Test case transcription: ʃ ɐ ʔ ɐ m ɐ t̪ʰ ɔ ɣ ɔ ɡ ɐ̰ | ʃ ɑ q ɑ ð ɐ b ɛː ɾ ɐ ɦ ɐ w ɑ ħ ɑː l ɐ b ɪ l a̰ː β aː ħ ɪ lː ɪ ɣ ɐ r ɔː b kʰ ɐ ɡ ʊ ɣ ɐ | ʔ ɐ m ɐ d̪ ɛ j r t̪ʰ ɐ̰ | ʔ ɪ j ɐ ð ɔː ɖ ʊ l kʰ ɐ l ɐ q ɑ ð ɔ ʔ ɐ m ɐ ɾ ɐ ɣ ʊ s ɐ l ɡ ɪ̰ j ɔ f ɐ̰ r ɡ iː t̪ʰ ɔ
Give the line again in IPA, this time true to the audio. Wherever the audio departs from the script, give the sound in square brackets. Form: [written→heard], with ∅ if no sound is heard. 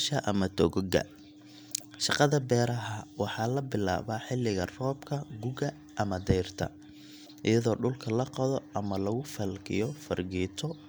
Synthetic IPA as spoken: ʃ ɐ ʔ ɐ m ɐ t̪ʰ ɔ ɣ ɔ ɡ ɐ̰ | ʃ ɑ q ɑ ð ɐ b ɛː ɾ ɐ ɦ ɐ w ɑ ħ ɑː l ɐ b ɪ l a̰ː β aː ħ ɪ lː ɪ ɣ ɐ r ɔː b kʰ ɐ ɡ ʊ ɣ ɐ | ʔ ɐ m ɐ d̪ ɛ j r t̪ʰ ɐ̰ | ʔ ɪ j ɐ ð ɔː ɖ ʊ l kʰ ɐ l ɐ q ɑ ð ɔ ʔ ɐ m ɐ [ɾ→l] ɐ ɣ ʊ [s→f] ɐ l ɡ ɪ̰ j ɔ f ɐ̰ r ɡ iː t̪ʰ ɔ